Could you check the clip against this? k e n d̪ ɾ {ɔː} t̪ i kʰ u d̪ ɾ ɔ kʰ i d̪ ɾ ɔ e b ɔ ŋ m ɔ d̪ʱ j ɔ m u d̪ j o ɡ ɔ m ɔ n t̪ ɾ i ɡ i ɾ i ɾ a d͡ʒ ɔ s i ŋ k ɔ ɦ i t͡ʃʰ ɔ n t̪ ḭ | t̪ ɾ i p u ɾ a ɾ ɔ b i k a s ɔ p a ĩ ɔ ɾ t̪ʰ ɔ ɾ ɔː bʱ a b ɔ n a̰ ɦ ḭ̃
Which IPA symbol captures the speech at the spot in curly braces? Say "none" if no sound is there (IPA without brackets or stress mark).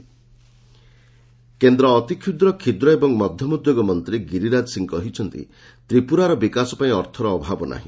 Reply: ɔː